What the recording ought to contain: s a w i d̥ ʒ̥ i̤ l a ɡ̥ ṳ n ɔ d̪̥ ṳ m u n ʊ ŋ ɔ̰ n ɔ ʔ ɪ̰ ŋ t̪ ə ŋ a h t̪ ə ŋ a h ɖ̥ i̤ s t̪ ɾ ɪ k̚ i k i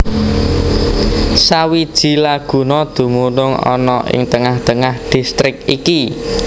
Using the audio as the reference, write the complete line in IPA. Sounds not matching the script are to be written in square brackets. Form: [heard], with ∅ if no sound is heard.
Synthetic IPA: s a w i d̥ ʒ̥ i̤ l a ɡ̥ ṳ n ɔ d̪̥ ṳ m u n ʊ ŋ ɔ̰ n ɔ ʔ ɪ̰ ŋ t̪ ə ŋ a h t̪ ə ŋ a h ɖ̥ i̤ s t̪ ɾ ɪ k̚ i k i